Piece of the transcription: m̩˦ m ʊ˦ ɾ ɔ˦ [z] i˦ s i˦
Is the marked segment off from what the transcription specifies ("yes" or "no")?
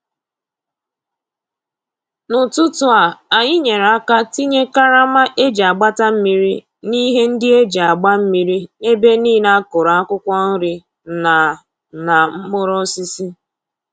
yes